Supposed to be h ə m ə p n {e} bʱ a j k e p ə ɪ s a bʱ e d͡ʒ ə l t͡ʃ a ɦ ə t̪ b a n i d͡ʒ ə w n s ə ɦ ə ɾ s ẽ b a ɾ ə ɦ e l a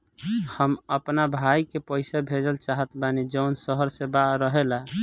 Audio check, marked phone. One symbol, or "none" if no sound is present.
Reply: a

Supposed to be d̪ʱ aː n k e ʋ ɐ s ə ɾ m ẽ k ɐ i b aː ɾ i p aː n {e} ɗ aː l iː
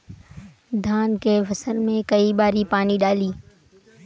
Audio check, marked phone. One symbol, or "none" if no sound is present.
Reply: i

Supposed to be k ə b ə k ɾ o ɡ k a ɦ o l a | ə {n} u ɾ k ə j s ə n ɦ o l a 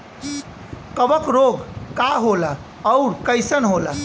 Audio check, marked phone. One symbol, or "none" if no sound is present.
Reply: none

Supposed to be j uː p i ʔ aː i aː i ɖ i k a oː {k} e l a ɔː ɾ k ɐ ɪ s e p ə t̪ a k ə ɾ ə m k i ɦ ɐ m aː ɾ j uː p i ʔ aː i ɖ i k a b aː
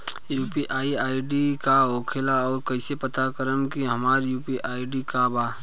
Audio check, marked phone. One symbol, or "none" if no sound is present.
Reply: kʰ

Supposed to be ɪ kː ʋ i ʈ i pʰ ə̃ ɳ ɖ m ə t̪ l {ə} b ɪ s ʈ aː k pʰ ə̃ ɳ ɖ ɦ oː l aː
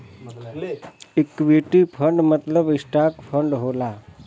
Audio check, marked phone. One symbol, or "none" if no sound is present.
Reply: ə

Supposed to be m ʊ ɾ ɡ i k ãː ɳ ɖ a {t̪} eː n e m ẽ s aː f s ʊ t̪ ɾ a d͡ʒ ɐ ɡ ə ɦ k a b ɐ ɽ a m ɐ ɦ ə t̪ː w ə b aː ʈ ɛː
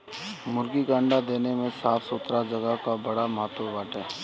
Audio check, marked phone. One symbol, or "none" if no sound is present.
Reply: d̪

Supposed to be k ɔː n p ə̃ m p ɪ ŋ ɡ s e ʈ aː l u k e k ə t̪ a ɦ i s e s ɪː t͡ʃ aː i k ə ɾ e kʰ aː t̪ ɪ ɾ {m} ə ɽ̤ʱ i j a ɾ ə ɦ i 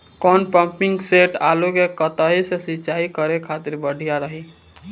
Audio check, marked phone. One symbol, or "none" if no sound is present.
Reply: b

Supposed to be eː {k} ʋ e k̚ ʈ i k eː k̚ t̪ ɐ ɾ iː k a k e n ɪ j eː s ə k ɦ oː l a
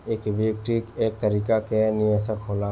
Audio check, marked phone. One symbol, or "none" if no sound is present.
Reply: k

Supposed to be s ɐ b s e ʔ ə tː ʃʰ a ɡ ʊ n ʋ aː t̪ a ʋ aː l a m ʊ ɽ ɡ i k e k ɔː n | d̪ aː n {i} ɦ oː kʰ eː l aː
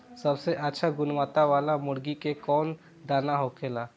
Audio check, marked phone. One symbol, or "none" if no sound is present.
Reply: a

